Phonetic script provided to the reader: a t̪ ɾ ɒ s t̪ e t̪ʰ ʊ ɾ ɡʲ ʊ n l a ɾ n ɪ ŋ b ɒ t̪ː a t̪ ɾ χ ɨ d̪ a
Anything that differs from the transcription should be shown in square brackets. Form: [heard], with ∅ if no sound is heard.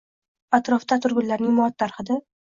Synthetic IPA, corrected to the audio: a t̪ ɾ ɒ [f] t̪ [a] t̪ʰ ʊ ɾ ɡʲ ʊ n l a ɾ n ɪ ŋ [m] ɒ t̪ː a [∅] ɾ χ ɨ d̪ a